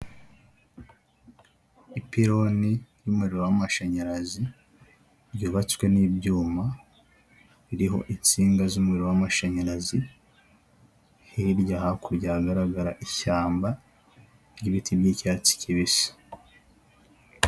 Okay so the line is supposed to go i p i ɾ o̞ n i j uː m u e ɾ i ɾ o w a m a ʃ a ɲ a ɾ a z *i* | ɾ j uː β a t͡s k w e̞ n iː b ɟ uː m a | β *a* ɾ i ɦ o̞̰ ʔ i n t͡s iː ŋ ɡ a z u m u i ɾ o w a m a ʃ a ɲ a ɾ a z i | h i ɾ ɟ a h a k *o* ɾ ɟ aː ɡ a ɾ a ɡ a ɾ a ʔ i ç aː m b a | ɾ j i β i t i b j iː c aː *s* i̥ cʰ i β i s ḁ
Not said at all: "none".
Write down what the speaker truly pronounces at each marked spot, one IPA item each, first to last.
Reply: i, i, u, t͡s

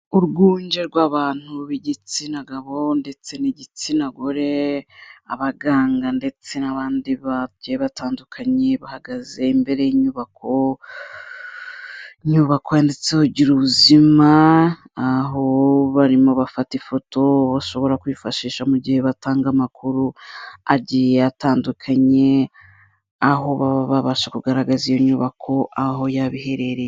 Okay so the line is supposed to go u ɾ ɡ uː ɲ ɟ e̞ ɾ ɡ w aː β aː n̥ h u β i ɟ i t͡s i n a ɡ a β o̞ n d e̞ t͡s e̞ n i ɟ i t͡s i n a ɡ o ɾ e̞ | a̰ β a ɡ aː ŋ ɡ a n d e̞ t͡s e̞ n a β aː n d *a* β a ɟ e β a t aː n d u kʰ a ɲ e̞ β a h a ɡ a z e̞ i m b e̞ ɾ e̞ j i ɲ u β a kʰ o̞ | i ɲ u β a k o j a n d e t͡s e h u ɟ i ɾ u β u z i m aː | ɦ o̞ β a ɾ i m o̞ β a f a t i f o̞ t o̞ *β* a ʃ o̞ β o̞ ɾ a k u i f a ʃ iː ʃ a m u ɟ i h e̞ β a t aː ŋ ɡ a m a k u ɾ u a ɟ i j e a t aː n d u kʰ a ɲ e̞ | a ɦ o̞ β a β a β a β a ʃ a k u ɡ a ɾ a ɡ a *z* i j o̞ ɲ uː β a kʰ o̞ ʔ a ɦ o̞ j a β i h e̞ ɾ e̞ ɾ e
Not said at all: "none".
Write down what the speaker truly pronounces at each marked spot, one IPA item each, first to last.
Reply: i, β, z

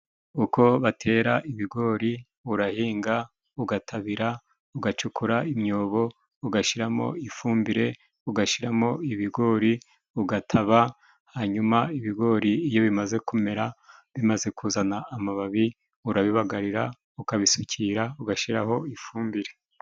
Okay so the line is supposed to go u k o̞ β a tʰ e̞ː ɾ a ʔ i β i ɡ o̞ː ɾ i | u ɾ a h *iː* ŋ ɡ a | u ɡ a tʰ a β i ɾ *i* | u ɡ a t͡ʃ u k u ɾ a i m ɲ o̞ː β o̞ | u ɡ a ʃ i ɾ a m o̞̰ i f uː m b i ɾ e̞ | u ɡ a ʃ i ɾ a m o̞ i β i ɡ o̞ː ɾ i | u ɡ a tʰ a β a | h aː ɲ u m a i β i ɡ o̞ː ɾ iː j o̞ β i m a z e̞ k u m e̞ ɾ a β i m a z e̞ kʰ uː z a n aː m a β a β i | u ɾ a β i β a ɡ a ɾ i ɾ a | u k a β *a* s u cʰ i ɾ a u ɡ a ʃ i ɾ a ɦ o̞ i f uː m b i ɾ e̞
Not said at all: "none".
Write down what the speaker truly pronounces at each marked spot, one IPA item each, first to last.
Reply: iː, a, i

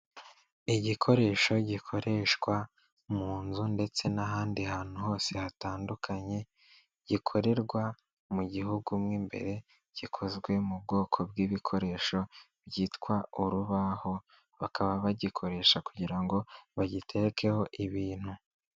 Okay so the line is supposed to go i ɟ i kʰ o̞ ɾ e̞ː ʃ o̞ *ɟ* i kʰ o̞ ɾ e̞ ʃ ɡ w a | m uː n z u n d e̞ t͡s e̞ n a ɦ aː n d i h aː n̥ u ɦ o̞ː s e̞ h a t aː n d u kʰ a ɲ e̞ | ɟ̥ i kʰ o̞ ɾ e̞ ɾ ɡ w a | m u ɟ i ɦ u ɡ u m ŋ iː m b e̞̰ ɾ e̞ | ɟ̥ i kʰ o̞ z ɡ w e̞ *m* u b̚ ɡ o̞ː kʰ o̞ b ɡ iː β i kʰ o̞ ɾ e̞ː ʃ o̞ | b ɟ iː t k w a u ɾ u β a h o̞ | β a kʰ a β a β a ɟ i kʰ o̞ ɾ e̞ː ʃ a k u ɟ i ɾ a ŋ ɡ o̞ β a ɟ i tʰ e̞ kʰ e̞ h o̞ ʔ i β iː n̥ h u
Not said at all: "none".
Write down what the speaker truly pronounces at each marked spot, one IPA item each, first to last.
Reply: ɟ, m

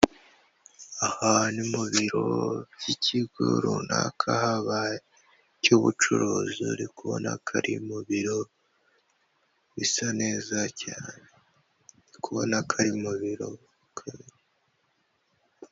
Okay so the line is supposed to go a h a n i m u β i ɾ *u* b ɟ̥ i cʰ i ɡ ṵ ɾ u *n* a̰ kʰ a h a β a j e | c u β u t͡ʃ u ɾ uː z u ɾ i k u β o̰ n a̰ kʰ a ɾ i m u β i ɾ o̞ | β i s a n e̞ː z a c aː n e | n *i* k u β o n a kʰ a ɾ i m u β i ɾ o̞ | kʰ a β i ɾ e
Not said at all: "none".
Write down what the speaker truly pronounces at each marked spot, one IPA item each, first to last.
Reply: o, n, i

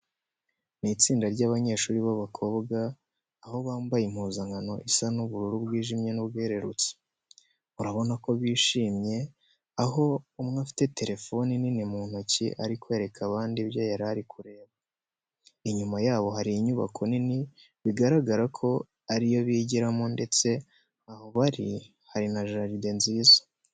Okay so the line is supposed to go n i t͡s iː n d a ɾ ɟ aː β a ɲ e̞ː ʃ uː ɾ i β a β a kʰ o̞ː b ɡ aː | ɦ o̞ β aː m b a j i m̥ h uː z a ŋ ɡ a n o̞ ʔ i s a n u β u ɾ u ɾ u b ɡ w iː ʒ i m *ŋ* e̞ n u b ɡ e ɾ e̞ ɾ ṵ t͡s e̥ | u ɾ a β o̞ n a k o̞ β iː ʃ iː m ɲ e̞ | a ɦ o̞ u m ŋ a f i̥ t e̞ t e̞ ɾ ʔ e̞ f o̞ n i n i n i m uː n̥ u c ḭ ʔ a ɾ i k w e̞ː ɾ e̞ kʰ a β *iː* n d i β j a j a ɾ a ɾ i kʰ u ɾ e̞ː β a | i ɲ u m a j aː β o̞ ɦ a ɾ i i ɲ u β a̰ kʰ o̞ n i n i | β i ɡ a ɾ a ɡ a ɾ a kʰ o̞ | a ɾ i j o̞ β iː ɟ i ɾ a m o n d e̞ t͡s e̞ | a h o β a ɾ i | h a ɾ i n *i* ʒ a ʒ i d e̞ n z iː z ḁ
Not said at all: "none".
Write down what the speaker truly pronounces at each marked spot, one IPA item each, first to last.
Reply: ɲ, aː, a

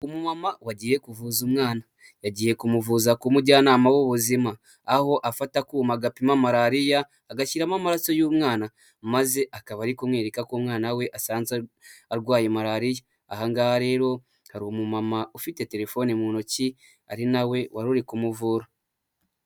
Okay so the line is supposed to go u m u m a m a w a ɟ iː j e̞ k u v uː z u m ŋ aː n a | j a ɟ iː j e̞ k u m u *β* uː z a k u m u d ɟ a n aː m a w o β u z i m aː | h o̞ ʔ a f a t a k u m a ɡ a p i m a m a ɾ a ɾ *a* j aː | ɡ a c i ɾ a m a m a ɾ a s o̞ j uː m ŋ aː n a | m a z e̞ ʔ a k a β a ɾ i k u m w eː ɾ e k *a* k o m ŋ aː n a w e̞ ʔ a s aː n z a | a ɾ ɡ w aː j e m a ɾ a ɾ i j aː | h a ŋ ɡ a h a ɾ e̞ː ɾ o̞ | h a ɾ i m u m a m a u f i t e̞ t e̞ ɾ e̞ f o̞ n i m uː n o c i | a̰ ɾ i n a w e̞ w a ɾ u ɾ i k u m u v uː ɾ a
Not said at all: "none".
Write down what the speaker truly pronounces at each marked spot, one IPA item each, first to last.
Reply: v, i, a

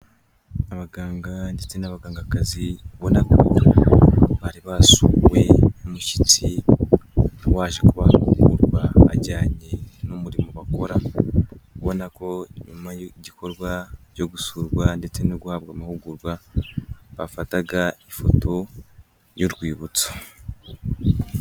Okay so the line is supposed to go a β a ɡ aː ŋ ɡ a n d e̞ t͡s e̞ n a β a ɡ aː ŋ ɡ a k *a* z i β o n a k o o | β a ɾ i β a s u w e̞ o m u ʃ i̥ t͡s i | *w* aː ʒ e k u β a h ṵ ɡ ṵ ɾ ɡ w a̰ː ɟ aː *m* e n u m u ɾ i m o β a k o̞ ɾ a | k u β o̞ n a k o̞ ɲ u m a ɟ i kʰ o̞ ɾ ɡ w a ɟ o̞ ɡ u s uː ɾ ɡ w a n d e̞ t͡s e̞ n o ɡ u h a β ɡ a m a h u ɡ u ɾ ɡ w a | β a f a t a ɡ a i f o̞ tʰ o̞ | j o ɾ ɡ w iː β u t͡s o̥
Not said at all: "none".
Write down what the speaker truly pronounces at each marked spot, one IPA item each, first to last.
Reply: a, w, ɲ

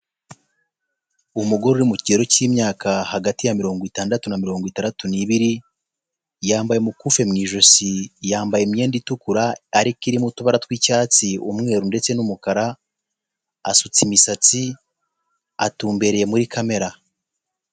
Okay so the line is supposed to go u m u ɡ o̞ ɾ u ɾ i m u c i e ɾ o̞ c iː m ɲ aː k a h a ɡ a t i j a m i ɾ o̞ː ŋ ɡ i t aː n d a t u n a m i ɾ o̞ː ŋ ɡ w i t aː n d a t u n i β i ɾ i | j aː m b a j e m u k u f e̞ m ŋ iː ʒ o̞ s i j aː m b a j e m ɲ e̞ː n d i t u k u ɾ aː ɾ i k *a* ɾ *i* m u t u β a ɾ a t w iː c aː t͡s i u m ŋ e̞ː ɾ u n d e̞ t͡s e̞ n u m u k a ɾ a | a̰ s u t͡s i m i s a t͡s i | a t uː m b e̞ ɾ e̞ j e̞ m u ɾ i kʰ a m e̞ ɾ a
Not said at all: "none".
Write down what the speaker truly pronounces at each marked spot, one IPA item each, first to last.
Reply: i, i

